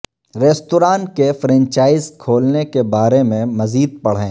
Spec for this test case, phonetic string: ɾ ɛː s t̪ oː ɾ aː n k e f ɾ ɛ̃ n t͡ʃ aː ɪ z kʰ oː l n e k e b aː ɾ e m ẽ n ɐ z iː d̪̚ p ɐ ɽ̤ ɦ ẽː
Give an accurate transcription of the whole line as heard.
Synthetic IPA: ɾ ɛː s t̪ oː ɾ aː n k e f ɾ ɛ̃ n t͡ʃ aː ɪ z kʰ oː l n e k e b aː ɾ e m ẽ m ɐ z iː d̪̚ p ɐ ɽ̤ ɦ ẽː